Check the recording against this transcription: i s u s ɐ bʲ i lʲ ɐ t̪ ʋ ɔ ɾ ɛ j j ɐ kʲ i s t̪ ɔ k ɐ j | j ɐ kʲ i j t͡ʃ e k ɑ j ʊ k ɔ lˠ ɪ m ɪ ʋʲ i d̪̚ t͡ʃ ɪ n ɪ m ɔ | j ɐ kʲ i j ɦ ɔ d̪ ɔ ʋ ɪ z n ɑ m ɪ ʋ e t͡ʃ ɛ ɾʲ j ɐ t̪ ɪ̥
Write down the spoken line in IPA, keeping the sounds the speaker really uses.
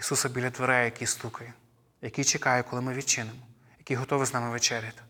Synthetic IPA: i s u s ɐ bʲ i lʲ ɐ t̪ ʋ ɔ ɾ ɛ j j ɐ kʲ i s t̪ u k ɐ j | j ɐ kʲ i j t͡ʃ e k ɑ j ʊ k ɔ lˠ ɪ m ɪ ʋʲ i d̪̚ t͡ʃ ɪ n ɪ m ɔ | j ɐ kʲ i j ɦ ɔ t̪ ɔ ʋ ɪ z n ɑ m ɪ ʋ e t͡ʃ ɛ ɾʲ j ɐ t̪ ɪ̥